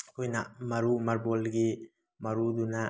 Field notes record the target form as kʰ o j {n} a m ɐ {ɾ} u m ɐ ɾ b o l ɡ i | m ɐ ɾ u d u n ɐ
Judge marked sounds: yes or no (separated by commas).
yes, yes